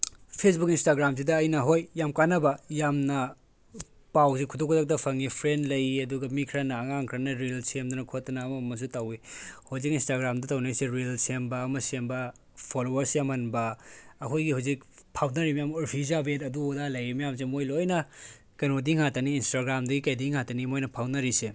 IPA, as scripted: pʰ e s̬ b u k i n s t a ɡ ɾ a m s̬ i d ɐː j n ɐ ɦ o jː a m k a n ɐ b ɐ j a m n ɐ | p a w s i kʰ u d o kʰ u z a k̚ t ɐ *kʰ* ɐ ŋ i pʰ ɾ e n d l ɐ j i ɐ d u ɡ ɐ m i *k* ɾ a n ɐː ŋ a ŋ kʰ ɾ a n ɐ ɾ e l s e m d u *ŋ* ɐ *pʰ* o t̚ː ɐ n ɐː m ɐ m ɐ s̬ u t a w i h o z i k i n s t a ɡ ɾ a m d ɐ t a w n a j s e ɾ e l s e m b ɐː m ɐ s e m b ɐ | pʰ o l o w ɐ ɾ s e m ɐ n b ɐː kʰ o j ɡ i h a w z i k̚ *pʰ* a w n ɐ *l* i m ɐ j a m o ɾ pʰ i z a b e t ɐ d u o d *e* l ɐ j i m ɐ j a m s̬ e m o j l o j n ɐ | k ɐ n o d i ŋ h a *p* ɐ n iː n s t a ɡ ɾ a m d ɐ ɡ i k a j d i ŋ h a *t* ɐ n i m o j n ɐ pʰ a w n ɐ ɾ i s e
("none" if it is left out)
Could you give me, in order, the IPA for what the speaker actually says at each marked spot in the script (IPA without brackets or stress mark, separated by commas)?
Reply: pʰ, kʰ, n, kʰ, pʰ, ɾ, a, t, t